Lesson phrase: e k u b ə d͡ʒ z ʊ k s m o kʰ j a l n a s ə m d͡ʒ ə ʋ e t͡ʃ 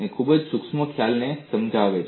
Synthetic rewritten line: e kʰ u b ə d͡ʒ s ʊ k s m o kʰ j a l n e s ə m d͡ʒ a ʋ e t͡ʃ